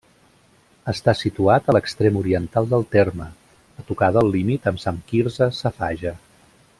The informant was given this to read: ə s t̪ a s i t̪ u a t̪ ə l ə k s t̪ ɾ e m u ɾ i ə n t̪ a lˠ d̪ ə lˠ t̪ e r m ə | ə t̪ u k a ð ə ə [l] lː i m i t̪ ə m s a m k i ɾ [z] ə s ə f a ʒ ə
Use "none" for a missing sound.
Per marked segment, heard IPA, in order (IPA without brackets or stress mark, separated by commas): l, z